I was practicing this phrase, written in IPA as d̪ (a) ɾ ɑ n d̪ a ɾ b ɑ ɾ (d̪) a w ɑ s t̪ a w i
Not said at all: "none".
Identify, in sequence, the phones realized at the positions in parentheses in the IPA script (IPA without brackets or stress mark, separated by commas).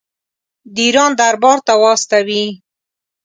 i, t̪